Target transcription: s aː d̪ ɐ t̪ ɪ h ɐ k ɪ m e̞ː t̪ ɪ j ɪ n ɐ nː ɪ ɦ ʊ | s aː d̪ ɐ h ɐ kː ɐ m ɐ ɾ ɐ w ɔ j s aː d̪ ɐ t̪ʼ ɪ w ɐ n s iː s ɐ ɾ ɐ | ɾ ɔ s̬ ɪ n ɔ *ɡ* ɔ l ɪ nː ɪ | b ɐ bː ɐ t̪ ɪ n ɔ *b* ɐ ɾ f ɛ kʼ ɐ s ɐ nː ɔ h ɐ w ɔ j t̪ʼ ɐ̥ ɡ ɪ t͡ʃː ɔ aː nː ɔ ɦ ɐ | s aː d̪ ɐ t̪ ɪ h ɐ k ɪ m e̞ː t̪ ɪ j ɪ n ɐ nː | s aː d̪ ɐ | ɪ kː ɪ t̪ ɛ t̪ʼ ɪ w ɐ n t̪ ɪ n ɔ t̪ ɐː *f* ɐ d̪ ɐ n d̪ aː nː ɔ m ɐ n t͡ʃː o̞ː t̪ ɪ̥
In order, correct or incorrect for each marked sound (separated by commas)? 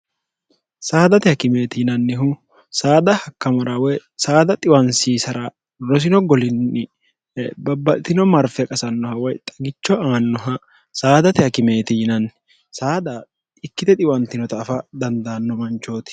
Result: correct, incorrect, correct